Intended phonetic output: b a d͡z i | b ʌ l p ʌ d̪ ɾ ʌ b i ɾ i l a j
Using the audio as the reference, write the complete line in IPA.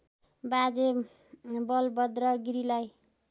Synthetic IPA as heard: b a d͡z e | b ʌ l b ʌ d̪ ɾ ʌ ɡ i ɾ i l a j